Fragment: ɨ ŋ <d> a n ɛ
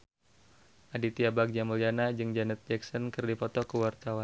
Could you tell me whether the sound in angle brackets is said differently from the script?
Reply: yes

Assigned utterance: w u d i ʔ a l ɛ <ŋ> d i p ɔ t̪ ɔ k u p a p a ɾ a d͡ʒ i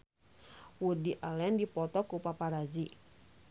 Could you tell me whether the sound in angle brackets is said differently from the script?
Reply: yes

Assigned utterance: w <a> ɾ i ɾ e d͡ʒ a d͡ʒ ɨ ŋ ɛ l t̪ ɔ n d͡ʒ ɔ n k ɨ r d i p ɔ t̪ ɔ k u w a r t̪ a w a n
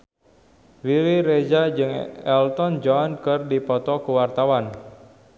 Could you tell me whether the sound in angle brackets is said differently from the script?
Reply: yes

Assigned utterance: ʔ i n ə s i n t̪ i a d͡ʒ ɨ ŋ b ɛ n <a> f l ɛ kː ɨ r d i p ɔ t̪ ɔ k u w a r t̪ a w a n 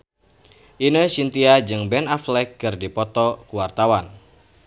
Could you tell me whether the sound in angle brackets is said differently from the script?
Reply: no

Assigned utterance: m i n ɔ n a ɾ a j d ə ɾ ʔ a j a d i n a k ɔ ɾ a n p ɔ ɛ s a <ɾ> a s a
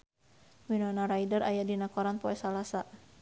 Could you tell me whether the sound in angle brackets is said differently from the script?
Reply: yes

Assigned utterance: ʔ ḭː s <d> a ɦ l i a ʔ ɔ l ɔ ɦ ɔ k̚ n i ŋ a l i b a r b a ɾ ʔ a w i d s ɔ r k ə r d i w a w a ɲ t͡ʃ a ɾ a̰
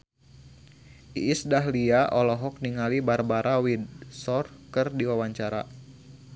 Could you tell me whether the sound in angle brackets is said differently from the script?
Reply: no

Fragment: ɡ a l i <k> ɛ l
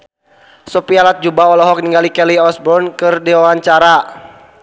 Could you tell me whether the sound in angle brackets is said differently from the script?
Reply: no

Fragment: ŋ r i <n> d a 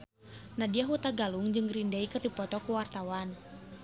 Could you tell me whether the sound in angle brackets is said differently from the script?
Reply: no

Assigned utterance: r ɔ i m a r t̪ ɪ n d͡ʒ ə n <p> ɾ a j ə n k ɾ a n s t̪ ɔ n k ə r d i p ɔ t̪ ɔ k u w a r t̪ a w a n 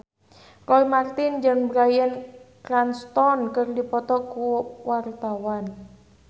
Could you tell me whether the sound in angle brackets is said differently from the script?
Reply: yes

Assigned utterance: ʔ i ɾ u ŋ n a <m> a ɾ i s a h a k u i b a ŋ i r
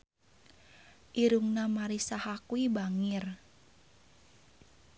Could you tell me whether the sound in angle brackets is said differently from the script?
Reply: no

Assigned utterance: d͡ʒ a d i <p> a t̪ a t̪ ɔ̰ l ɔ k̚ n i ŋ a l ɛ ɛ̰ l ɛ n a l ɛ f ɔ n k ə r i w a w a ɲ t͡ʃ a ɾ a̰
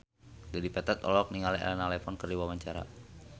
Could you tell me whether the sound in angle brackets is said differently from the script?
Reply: no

